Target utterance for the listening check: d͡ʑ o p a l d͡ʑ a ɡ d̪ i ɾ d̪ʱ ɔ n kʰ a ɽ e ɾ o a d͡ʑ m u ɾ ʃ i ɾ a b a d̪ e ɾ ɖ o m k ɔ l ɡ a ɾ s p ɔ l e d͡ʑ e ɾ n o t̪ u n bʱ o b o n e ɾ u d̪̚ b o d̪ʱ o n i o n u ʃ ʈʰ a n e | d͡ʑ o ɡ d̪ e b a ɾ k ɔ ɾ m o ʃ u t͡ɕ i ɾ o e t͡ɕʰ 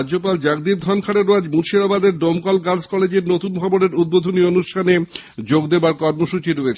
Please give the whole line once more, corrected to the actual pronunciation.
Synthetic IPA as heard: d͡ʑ o p a l d͡ʑ a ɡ d̪ i ɾ d̪ʱ ɔ n kʰ a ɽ e ɾ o a d͡ʑ m u ɾ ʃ i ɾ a b a d̪ e ɾ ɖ o m k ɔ l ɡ a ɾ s k ɔ l e d͡ʑ e ɾ n o t̪ u n bʱ ɔ b o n e ɾ u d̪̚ b o d̪ʱ o n i o n u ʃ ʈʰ a n e | d͡ʑ o ɡ d̪ e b a ɾ k ɔ ɾ m o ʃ u t͡ɕ i ɾ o e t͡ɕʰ